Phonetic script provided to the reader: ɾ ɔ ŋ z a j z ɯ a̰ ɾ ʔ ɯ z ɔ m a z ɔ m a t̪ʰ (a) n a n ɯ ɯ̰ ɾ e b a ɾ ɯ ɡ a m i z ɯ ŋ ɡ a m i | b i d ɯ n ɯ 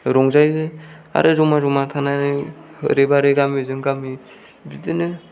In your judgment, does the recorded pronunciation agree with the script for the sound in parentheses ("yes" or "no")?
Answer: yes